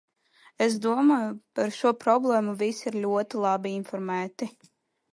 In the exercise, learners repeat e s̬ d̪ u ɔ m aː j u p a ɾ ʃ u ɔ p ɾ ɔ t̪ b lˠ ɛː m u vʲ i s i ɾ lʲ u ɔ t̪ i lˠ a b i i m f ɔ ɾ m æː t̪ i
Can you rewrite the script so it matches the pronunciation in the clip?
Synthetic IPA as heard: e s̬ d̪ u ɔ m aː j u p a ɾ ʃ u ɔ p ɾ ɔ b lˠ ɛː m u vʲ i s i ɾ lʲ u ɔ t̪ i lˠ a b i i n f ɔ ɾ m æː t̪ i